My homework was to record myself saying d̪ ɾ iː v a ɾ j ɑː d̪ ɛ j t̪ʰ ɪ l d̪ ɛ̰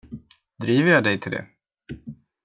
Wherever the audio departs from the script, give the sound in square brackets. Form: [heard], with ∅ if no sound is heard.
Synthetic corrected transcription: d̪ ɾ iː v [ə] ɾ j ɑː d̪ ɛ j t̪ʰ ɪ l d̪ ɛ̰